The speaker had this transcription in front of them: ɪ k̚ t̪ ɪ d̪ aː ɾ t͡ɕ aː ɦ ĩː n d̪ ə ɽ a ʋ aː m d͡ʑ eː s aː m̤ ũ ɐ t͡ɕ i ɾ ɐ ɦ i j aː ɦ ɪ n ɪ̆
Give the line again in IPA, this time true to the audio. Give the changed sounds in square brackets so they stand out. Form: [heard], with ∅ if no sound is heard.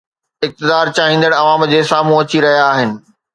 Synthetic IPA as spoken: ɪ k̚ t̪ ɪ d̪ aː ɾ t͡ɕ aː ɦ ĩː n d̪ ə ɽ [ɐ] ʋ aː m d͡ʑ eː s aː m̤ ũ ɐ t͡ɕ i ɾ ɐ ɦ i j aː ɦ ɪ n ɪ̆